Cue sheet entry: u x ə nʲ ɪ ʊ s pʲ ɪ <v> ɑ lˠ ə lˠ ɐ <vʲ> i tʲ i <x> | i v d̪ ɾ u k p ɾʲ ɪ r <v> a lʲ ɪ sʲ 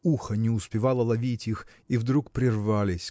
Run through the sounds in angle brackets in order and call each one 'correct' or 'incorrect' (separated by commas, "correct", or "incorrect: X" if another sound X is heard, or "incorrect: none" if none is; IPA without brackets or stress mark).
correct, correct, correct, correct